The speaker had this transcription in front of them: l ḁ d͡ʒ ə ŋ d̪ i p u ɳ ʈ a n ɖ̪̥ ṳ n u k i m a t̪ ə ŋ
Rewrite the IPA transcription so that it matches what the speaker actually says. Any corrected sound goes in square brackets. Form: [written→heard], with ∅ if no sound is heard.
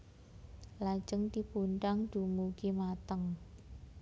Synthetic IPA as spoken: l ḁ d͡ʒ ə ŋ [d̪→t̪] i p u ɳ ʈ a [n→ŋ] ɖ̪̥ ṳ [n→m] u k i m a t̪ ə ŋ

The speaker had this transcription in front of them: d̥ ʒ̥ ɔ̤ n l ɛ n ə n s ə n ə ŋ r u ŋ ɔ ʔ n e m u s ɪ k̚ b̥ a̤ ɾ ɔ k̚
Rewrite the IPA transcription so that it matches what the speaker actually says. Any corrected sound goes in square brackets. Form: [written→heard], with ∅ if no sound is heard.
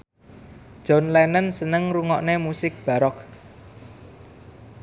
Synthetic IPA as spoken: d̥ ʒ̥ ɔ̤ n l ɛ n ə n s ə n ə ŋ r u ŋ ɔ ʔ n e m u s ɪ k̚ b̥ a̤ ɾ ɔ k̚

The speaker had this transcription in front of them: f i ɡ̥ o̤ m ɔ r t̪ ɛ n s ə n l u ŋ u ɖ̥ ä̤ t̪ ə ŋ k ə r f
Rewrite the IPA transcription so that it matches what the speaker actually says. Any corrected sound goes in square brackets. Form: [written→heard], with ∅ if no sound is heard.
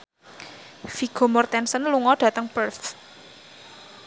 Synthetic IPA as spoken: f i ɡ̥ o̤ m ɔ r t̪ ɛ n s ə n l u ŋ [u→ɔ] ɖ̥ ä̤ t̪ ə ŋ [k→p] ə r f

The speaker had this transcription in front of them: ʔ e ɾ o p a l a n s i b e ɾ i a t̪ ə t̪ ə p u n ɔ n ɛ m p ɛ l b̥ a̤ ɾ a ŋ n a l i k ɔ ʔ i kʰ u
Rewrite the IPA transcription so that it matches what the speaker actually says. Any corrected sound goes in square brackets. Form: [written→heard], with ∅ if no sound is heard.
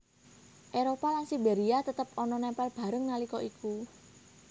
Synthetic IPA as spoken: ʔ e ɾ o p a l a n s i b e ɾ i a t̪ ə t̪ ə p [u→ɔ] n ɔ n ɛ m p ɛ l b̥ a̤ ɾ [a→ə] ŋ n a l i k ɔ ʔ i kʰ u

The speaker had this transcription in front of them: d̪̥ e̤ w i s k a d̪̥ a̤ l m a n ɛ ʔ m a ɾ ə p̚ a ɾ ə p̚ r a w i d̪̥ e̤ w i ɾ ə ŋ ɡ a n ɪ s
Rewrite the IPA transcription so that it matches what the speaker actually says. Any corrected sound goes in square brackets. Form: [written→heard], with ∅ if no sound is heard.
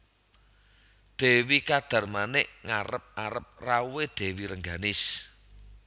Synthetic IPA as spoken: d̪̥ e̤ w i [s→∅] k a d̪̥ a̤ [l→r] m a n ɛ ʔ [m→ŋ] a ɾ ə p̚ a ɾ ə p̚ r a w [i→e] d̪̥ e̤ w i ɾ ə ŋ ɡ a n ɪ s

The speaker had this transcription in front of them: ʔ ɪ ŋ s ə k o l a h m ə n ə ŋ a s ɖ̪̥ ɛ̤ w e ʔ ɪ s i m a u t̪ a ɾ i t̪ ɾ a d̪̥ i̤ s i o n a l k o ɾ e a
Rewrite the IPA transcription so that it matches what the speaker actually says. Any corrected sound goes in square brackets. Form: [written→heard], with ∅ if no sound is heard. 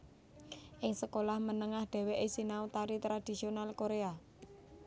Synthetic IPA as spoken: ʔ ɪ ŋ s ə k o l a h m ə n ə ŋ a [s→h] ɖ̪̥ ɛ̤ w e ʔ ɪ s i [m→n] a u t̪ a ɾ i t̪ ɾ a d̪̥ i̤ s i o n a l k o ɾ e a

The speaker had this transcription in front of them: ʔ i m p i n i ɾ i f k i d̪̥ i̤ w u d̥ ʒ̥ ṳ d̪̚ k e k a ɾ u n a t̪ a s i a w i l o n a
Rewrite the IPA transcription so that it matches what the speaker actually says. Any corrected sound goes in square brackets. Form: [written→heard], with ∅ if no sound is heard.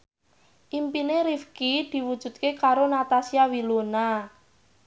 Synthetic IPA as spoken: ʔ i m p i n [i→e] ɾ i f k i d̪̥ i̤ w u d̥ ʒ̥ ṳ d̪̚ k e k a ɾ [u→o] n a t̪ a s i a w i l o n a

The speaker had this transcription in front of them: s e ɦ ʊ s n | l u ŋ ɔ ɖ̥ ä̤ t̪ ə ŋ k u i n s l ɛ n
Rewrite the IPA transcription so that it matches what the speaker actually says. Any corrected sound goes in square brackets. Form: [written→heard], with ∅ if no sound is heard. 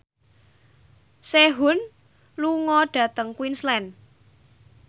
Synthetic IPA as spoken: s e ɦ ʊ [s→∅] n | l u ŋ ɔ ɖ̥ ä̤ t̪ ə ŋ k [u→w] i n s l ɛ n

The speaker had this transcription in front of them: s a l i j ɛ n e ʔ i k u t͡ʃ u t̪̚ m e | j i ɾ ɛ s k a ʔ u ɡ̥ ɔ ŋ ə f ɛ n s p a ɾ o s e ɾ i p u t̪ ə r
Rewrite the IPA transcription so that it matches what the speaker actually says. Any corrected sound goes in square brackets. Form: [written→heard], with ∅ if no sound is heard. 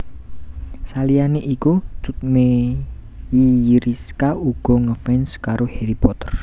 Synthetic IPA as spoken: s a l i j [ɛ→a] n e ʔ i k u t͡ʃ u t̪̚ m e | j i ɾ [ɛ→i] s k a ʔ u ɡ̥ ɔ ŋ ə f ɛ n s [p→k] a ɾ o [s→h] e ɾ i p [u→ɔ] t̪ ə r

